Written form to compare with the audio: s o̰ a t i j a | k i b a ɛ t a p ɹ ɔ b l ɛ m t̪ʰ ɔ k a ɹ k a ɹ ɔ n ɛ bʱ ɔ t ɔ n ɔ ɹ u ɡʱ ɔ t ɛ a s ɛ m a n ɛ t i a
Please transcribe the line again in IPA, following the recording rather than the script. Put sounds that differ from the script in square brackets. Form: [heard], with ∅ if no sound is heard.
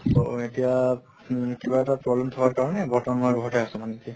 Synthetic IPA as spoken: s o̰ [e] t i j a | k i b a ɛ t a p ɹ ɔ b l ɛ m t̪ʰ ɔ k a ɹ k a ɹ ɔ n ɛ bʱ ɔ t ɔ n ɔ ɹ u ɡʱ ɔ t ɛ a s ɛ m a n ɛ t i a

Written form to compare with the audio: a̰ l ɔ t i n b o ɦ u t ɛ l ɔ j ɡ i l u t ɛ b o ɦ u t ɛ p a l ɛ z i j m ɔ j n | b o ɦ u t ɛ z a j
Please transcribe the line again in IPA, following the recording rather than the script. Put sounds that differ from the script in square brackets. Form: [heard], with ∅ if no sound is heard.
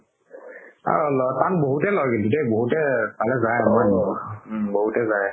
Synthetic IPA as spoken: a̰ l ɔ t [a] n b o ɦ u t ɛ l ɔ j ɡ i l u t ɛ b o ɦ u t ɛ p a l ɛ z [a] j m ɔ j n | b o ɦ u t ɛ z a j

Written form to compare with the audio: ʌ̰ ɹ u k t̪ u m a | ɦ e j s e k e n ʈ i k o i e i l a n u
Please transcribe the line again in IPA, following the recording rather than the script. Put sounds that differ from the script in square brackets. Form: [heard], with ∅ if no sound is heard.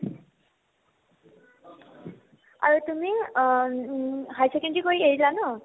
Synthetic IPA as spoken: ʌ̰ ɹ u [∅] t̪ u m [i] | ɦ [a] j s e k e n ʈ i k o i e i l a n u

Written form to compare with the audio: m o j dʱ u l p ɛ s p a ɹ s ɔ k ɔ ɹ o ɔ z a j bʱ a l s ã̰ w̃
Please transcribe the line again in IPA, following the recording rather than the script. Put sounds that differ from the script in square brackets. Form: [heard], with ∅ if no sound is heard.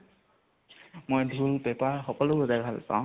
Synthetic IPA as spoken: m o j dʱ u l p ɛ [∅] p a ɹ [x] ɔ k ɔ [l] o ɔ z a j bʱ a l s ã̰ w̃

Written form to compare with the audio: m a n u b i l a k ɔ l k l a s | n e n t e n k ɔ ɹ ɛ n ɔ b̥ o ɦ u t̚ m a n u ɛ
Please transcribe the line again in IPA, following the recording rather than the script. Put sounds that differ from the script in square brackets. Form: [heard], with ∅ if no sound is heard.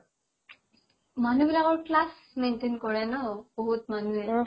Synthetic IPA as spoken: m a n u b i l a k ɔ [ɹ] k l a s | [m] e n t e n k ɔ ɹ ɛ n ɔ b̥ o ɦ u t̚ m a n u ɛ

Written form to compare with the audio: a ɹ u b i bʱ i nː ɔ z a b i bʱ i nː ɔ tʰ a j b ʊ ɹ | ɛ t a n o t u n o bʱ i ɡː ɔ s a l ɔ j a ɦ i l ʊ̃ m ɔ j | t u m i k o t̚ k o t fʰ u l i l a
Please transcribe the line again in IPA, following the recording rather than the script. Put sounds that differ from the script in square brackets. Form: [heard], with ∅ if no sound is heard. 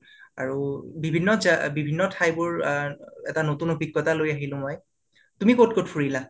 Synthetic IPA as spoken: a ɹ u b i bʱ i nː ɔ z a b i bʱ i nː ɔ tʰ a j b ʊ ɹ | ɛ t a n o t u n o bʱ i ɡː ɔ [t] a l [o] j a ɦ i l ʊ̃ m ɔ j | t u m i k o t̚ k o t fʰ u [ɹ] i l a

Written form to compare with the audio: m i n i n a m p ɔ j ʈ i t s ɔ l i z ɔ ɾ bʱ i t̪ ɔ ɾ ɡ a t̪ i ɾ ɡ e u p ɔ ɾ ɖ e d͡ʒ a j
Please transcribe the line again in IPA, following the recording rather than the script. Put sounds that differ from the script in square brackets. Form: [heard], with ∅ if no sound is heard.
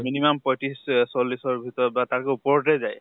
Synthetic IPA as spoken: m i n i [m] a m p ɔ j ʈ i [s] s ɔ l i [s] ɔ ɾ bʱ i t̪ ɔ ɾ [b] a t̪ [a] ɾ [k] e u p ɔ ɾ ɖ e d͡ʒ a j

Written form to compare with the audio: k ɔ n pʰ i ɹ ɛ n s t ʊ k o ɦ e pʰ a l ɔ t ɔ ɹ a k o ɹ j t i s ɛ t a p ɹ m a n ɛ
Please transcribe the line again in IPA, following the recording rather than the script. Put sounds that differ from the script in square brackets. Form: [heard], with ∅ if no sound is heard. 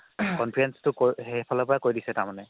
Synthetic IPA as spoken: k ɔ n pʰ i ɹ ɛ n s t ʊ k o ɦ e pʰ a l ɔ [p] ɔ ɹ a k o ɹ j [d] i s ɛ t a [∅] ɹ m a n ɛ

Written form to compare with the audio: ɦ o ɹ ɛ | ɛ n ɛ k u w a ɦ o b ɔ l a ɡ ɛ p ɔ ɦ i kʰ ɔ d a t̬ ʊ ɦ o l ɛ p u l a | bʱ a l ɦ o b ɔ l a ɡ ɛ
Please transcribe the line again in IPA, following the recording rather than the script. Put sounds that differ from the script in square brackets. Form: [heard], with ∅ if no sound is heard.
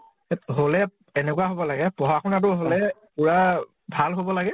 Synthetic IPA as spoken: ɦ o [l] ɛ | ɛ n ɛ k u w a ɦ o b ɔ l a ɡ ɛ p ɔ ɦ [a] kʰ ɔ [n] a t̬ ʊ ɦ o l ɛ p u [ɹ] a | bʱ a l ɦ o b ɔ l a ɡ ɛ

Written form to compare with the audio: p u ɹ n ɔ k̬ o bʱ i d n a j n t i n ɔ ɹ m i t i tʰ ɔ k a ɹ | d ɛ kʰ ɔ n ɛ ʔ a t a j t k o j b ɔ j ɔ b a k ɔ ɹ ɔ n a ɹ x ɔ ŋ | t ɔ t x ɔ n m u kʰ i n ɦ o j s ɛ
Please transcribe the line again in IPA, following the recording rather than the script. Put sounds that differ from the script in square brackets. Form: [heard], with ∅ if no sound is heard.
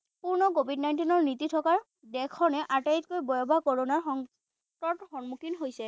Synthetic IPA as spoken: p u ɹ n ɔ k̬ o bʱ i d n a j n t i n ɔ ɹ [n] i t i tʰ ɔ k a ɹ | d ɛ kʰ ɔ n ɛ ʔ a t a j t k o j b ɔ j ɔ b a k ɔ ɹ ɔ n a ɹ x ɔ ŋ | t ɔ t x ɔ n m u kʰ i n ɦ o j s ɛ

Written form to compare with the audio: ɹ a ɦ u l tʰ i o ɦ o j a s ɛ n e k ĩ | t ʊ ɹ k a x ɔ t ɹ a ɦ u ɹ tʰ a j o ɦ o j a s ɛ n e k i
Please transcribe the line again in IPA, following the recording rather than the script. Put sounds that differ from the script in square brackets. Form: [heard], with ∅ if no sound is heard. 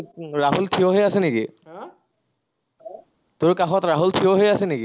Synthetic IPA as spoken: ɹ a ɦ u l tʰ i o ɦ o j a s ɛ n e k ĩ | t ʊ ɹ k a x ɔ t ɹ a ɦ u [l] tʰ [i] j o ɦ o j a s ɛ n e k i

